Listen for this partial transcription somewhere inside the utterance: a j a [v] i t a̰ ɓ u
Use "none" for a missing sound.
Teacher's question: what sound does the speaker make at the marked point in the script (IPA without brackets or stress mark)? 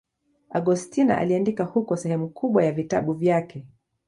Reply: v